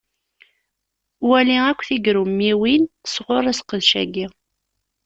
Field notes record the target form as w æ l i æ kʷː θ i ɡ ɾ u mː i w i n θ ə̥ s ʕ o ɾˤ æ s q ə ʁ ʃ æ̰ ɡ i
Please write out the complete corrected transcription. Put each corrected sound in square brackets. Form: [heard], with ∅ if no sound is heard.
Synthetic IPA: w æ l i æ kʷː θ i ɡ ɾ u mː i w i n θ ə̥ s [ʁ] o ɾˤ æ s q ə [ð] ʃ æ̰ ɡ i